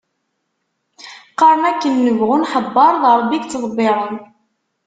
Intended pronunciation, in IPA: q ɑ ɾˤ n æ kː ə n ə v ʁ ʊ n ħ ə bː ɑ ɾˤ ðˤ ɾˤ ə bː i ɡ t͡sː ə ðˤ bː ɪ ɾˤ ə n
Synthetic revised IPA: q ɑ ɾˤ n æ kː ə nː ə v ʁ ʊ n ħ ə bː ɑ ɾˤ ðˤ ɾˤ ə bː i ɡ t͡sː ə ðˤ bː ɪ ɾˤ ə n